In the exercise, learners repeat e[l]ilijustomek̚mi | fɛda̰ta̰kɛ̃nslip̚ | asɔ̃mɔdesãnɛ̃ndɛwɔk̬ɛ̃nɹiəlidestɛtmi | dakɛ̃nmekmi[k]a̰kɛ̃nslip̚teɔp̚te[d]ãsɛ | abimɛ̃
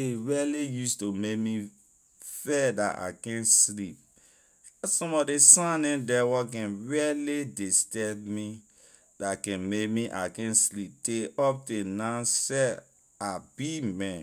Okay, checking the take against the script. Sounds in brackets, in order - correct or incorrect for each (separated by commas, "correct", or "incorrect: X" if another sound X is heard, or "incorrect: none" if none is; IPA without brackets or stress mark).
incorrect: ɹ, incorrect: ʔ, incorrect: n